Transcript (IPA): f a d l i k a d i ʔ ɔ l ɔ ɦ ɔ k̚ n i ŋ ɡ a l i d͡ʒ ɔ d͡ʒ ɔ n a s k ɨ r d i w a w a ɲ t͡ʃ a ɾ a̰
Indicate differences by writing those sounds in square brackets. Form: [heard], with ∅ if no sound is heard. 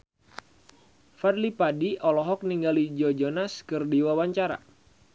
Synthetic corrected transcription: f a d l i [p] a d i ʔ ɔ l ɔ ɦ ɔ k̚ n i ŋ ɡ a l i d͡ʒ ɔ d͡ʒ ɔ n a s k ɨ r d i w a w a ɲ t͡ʃ a ɾ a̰